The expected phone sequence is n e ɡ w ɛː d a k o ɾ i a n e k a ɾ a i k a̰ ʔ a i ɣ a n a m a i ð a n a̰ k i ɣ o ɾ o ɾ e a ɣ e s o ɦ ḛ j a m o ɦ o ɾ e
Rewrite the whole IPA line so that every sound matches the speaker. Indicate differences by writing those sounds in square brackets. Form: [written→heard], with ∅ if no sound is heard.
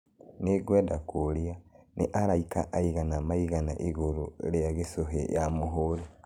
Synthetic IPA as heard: n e ɡ w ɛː d a k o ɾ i a n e [k→ʔ] a ɾ a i k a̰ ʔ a i ɣ a n a m a i [ð→ɣ] a n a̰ [k→ʔ] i ɣ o ɾ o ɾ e a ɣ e s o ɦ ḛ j a m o ɦ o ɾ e